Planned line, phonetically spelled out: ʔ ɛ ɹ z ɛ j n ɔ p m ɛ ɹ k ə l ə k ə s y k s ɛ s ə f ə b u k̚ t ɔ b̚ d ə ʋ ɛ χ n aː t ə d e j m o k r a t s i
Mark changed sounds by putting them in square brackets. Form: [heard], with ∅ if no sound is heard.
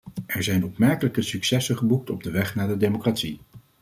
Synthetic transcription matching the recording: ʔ ɛ ɹ z ɛ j n ɔ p m ɛ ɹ k ə l ə k ə s y k s ɛ s ə [χ] ə b u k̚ t ɔ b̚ d ə ʋ ɛ χ n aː [d] ə d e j m o k r a t s i